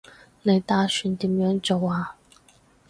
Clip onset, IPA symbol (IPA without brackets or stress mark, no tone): n